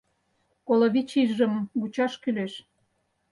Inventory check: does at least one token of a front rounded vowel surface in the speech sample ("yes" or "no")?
yes